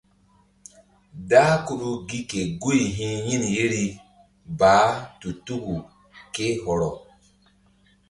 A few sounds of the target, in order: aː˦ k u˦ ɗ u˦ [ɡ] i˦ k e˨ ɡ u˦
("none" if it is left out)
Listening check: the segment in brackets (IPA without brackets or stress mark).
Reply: ɡ